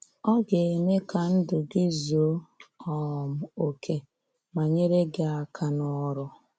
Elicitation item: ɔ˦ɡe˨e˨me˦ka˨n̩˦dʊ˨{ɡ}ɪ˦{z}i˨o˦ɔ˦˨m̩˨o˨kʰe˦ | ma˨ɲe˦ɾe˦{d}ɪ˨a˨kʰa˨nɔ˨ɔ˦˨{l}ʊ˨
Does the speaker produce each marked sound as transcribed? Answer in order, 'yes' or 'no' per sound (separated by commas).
yes, yes, no, no